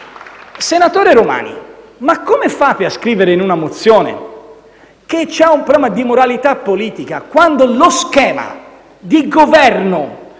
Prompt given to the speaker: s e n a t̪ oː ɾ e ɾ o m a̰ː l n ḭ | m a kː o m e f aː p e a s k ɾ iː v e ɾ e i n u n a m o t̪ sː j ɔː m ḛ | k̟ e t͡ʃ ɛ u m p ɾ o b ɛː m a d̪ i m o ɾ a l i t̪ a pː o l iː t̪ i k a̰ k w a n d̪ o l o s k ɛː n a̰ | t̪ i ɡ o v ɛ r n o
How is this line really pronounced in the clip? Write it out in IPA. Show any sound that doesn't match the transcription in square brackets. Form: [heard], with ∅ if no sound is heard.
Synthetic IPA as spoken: s e n a t̪ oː ɾ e ɾ o m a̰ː [∅] n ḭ | m a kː o m e f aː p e a s k ɾ iː v e ɾ e i n u n a m o t̪ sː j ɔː [n] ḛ | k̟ e t͡ʃ ɛ u m p ɾ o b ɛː m a d̪ i m o ɾ a l i t̪ a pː o l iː t̪ i k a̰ k w a n d̪ o l o s k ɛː [m] a̰ | [d̪] i ɡ o v ɛ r n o